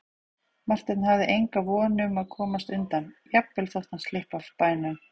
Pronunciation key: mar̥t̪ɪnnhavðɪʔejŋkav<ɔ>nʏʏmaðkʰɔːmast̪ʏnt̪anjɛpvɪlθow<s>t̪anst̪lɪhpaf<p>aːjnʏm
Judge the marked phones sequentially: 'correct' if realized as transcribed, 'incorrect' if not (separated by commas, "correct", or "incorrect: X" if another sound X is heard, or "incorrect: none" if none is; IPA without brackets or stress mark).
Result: incorrect: ɔː, incorrect: h, correct